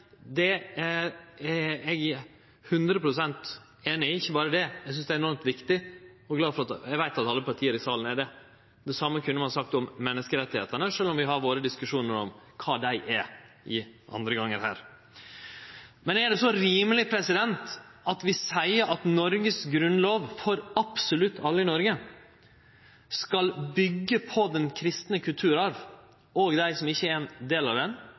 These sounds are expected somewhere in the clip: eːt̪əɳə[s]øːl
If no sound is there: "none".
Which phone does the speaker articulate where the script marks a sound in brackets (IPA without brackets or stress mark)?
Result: ʂ